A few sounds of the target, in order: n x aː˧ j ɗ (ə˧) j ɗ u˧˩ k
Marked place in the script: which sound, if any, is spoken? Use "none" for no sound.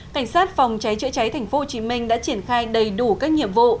ə˨˩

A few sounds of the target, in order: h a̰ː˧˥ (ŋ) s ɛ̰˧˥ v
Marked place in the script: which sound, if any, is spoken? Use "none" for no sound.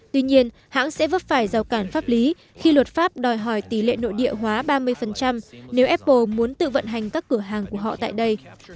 ŋ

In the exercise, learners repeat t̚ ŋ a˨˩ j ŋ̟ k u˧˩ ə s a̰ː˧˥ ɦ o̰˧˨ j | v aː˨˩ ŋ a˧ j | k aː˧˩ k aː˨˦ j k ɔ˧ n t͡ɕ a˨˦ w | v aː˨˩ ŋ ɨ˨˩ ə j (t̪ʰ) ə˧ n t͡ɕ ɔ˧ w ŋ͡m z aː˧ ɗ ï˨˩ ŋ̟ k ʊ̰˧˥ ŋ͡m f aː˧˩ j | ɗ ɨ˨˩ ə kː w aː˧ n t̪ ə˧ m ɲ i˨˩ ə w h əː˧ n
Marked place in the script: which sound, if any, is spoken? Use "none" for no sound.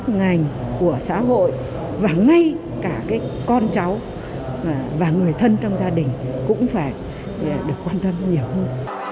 t̪ʰ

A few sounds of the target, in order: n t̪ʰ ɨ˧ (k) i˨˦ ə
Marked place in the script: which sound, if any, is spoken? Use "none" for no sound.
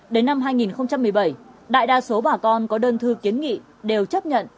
k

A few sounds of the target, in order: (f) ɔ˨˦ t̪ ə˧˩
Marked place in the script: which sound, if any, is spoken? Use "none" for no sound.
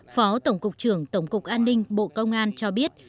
f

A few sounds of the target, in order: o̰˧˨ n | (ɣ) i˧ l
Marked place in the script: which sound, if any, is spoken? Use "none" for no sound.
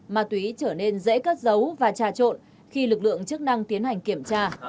x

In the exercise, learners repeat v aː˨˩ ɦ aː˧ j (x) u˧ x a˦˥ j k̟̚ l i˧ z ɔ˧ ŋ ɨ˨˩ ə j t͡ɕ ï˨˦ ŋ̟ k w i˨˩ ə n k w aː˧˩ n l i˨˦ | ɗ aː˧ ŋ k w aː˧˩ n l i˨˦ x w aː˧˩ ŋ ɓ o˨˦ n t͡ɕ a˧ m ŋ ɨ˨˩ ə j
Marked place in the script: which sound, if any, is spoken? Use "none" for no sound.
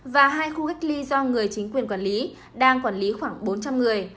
x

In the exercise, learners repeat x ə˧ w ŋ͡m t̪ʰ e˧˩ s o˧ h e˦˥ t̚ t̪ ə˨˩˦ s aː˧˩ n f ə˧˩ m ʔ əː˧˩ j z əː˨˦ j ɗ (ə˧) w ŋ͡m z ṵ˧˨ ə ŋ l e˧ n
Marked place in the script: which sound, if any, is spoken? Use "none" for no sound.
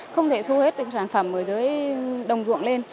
ə˨˩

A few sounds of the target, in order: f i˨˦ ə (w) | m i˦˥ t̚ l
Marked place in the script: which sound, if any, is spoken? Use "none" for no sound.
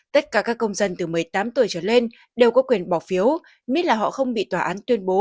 w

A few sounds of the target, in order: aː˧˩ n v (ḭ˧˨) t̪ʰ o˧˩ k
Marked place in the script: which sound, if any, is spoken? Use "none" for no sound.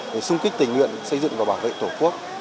ḛ˧˨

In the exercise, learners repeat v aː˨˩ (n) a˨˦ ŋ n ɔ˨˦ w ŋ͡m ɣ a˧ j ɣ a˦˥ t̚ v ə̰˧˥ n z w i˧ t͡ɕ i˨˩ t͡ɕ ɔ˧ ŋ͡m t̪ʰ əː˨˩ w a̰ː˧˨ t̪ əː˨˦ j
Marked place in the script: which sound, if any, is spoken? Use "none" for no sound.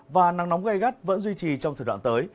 n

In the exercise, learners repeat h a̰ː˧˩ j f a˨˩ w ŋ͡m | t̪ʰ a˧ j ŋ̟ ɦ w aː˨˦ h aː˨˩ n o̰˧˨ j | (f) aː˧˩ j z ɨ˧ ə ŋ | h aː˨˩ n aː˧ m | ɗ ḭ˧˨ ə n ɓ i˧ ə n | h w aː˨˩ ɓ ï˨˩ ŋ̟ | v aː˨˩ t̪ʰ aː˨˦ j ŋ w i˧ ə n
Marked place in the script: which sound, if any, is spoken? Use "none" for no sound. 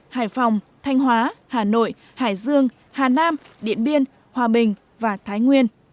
h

